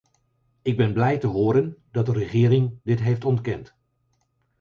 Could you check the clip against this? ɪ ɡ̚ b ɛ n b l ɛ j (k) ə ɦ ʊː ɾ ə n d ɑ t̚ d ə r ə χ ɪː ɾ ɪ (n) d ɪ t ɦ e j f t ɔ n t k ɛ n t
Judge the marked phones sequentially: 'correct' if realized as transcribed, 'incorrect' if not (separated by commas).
incorrect, incorrect